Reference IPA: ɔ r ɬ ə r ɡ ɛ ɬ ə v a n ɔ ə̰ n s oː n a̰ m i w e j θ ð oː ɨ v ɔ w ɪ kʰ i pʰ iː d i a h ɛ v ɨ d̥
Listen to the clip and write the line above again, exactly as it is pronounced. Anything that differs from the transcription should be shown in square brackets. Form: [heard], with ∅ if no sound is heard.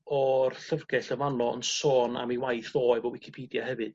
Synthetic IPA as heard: ɔ r ɬ ə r ɡ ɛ ɬ ə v a n ɔ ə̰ n s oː n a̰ m i w [a] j θ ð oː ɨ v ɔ w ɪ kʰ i pʰ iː d [j] a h ɛ v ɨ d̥